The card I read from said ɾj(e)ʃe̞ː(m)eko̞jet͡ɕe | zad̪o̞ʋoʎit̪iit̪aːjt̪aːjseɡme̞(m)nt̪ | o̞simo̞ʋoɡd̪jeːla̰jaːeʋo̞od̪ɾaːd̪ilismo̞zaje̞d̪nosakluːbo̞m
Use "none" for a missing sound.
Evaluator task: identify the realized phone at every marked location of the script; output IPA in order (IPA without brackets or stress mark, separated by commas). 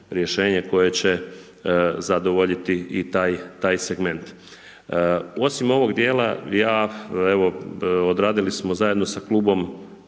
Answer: e, ɲ, none